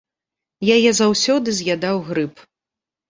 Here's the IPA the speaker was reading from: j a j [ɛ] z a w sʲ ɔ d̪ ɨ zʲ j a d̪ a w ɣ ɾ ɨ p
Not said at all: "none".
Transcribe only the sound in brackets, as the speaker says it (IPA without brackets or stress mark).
ɛ